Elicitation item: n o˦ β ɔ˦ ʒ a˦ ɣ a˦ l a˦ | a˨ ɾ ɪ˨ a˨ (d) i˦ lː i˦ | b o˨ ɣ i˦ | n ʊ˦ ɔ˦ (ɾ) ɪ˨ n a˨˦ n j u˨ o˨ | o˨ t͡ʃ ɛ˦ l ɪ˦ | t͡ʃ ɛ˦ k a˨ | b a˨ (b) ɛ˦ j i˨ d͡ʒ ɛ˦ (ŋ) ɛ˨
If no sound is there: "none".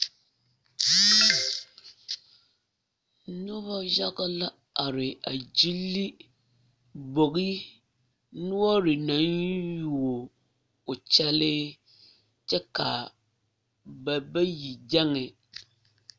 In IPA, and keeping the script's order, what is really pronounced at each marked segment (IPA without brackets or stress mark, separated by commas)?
d͡ʒ, ɾ, b, ŋ